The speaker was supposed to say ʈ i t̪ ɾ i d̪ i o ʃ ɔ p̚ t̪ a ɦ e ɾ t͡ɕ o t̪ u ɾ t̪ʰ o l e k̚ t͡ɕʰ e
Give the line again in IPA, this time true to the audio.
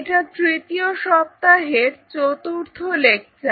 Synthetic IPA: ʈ a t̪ ɾ i t̪ i o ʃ ɔ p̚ t̪ a ɦ e ɾ t͡ɕ o t̪ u ɾ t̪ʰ o l e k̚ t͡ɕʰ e